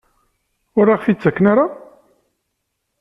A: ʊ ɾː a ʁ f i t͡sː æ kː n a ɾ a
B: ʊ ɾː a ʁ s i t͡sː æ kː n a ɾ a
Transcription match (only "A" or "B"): A